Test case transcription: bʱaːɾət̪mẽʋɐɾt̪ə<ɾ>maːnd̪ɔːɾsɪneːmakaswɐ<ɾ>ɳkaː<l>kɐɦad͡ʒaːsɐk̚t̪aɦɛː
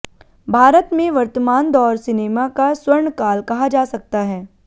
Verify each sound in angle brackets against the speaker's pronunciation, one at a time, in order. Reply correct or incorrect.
incorrect: none, correct, correct

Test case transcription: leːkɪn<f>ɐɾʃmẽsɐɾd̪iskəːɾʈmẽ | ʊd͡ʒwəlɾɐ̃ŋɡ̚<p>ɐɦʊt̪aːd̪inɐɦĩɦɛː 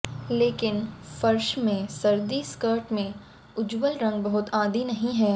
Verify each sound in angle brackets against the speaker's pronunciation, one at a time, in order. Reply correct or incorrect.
correct, incorrect: b

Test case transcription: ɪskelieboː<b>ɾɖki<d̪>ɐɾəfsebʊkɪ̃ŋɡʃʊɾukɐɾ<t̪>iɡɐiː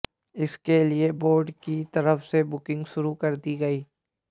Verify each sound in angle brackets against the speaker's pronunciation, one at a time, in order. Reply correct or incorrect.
incorrect: none, incorrect: t̪, incorrect: d̪

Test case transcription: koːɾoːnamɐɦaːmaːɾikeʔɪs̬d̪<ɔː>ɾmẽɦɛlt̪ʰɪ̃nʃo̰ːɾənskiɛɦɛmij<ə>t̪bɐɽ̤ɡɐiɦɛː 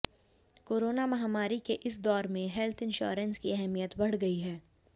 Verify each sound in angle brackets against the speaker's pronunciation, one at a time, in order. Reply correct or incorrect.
correct, correct

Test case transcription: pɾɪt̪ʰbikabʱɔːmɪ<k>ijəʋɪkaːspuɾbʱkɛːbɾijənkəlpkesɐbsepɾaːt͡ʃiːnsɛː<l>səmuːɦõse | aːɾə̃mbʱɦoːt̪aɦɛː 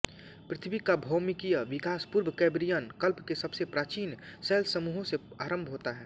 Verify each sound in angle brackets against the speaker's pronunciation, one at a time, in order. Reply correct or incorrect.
correct, correct

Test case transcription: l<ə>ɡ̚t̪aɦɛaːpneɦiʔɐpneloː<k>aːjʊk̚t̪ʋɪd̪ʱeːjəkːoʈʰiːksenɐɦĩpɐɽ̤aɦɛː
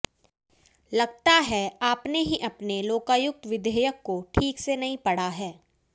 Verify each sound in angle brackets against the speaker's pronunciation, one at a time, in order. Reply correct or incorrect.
incorrect: ɐ, correct

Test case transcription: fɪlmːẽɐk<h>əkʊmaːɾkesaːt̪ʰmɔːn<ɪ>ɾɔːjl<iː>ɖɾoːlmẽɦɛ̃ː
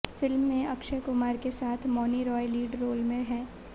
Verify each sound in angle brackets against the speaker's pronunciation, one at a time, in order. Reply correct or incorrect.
incorrect: ʃ, incorrect: i, correct

